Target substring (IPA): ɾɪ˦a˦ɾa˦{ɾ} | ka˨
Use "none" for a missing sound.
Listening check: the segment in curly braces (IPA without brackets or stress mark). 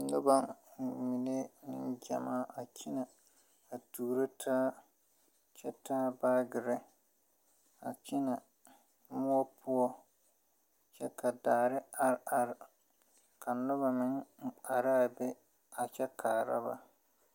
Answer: ɾ